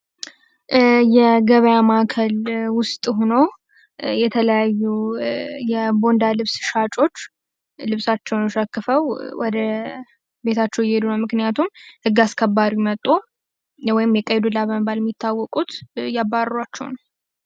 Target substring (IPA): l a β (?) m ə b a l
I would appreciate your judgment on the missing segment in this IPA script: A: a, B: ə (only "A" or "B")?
B